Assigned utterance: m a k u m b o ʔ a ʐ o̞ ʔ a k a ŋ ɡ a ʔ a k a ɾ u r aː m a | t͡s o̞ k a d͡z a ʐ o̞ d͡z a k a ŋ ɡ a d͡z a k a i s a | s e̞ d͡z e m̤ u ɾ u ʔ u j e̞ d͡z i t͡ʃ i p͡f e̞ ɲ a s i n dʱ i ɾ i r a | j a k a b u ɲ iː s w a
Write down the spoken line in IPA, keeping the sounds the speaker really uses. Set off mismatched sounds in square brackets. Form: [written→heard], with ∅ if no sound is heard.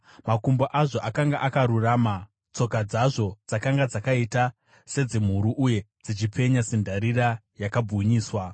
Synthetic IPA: m a k u m b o ʔ a ʐ o̞ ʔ a k a ŋ ɡ a ʔ a k a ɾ u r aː m a | t͡s o̞ k a d͡z a ʐ o̞ d͡z a k a ŋ ɡ a d͡z a k a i [s→t] a | s e̞ d͡z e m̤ u ɾ u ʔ u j e̞ d͡z i t͡ʃ i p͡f e̞ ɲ a s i n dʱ [i→a] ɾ i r a | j a k a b u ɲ iː s w a